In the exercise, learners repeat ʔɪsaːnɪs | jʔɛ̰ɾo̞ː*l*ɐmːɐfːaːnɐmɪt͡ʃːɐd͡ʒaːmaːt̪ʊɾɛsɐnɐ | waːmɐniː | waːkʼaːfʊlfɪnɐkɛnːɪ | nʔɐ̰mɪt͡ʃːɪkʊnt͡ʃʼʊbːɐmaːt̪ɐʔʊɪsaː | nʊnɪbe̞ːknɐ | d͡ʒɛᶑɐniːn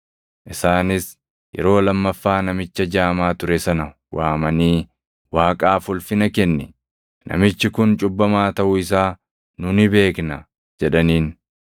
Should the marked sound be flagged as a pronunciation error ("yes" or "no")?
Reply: no